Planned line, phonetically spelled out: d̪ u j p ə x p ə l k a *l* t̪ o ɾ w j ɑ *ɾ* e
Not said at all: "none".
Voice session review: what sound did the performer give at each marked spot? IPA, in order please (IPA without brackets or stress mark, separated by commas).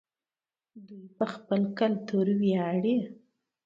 l, ɽ